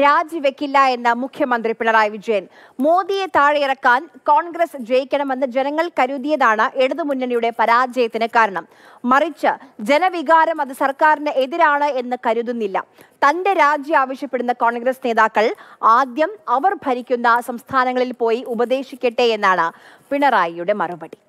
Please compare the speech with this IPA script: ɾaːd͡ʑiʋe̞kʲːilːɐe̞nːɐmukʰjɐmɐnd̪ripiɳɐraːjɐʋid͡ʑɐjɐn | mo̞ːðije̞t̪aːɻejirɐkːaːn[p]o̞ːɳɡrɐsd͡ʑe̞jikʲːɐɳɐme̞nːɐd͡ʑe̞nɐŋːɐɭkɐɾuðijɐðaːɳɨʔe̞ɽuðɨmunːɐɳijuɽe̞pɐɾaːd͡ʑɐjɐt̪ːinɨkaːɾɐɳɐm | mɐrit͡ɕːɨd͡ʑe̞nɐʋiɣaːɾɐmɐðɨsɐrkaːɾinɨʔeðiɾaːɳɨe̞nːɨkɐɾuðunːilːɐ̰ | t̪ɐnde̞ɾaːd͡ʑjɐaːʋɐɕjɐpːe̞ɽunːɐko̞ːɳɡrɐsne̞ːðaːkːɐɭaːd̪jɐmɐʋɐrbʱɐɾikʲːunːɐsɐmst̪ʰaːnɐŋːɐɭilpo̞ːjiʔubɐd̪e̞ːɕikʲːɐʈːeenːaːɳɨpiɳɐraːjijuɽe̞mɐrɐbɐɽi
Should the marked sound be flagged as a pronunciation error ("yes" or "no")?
yes